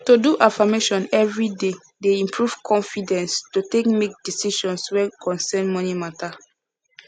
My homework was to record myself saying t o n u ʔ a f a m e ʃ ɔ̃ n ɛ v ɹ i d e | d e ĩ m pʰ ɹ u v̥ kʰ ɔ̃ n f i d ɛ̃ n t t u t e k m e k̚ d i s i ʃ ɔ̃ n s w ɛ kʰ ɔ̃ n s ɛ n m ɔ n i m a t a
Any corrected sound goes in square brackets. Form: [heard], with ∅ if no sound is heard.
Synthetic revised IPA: t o [d] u ʔ a f a m e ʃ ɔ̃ n ɛ v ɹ i d e | d e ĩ m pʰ ɹ u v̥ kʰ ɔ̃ n f i d ɛ̃ n [s] t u t e k m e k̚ d i s i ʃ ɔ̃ n s w ɛ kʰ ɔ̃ n s ɛ n m ɔ n i m a t a